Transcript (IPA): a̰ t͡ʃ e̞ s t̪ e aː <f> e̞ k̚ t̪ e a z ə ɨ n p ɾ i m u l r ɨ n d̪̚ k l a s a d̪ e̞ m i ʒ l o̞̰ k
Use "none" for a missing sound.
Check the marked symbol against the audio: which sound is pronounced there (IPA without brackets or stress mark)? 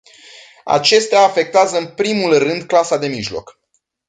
f